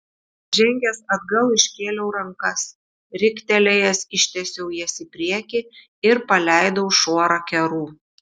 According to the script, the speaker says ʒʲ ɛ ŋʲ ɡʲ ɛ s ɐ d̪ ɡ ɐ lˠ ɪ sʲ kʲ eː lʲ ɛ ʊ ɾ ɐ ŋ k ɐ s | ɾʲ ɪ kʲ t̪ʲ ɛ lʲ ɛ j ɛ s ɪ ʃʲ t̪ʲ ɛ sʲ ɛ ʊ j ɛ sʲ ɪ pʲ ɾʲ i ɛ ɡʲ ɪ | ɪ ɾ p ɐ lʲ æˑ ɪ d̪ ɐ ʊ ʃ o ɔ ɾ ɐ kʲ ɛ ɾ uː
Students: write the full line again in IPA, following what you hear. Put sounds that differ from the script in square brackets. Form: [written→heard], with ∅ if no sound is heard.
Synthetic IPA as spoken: ʒʲ ɛ ŋʲ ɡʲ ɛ s ɐ d̪ ɡ ɐ lˠ ɪ [sʲ→ʃʲ] kʲ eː lʲ ɛ ʊ ɾ ɐ ŋ k ɐ s | ɾʲ ɪ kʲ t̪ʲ ɛ lʲ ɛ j ɛ s ɪ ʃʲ t̪ʲ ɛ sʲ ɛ ʊ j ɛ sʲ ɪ pʲ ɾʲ i ɛ [ɡʲ→kʲ] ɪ | ɪ ɾ p ɐ lʲ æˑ ɪ d̪ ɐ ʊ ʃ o ɔ ɾ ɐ kʲ ɛ ɾ uː